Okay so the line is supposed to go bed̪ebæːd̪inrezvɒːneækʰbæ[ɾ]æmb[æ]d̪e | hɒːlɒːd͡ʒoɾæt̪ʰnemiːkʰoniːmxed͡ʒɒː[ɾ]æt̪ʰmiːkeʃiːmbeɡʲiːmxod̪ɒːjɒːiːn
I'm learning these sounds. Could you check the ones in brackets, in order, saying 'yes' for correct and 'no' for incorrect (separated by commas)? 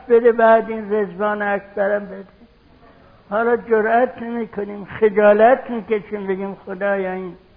yes, no, no